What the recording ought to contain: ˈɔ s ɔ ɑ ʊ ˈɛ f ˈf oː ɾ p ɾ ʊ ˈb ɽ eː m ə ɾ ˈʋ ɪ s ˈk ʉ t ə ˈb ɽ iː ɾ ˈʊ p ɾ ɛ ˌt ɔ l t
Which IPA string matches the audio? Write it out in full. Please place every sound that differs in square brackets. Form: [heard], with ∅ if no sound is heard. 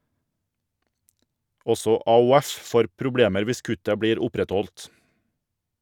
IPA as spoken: ˈɔ s ɔ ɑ ʊ ˈɛ f ˈf oː ɾ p ɾ ʊ ˈb ɽ eː m ə ɾ ˈʋ ɪ s ˈk ʉ t ə ˈb ɽ iː ɾ ˈʊ p ɾ ɛ ˌt ɔ l t